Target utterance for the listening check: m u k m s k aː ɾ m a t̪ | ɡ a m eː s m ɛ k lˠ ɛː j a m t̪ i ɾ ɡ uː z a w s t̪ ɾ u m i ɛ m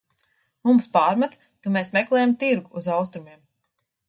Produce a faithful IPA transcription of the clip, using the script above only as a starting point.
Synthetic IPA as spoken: m u m s p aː ɾ m a t̪ | k a m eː s m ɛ k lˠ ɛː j a m t̪ i ɾ ɡ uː z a w s t̪ ɾ u m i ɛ m